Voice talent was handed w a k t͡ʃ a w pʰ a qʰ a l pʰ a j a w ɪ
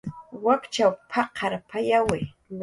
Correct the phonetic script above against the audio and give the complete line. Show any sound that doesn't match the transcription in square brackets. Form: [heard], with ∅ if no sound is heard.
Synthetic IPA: w a k t͡ʃ a w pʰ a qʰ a [ɾ] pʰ a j a w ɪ